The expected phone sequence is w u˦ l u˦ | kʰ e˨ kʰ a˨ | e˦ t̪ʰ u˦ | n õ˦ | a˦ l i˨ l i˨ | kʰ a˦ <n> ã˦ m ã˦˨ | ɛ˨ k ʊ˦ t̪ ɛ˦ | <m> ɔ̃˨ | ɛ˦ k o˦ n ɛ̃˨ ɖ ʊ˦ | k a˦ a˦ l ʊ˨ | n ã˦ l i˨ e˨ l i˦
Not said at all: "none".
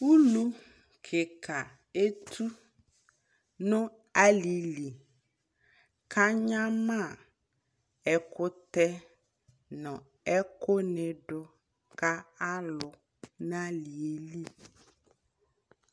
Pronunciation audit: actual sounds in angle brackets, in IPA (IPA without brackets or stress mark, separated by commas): ɲ, n